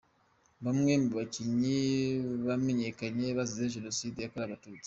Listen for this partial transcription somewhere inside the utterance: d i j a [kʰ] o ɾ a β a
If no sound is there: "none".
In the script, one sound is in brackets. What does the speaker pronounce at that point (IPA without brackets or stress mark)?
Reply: k